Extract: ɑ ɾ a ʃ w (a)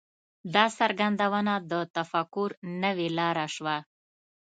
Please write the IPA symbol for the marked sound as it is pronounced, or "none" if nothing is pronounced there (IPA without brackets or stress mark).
a